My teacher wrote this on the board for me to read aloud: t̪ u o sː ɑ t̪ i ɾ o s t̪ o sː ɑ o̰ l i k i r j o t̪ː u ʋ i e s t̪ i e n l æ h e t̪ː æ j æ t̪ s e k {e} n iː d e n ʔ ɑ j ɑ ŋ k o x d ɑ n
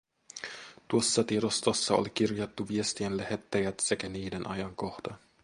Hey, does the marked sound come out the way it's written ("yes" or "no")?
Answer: no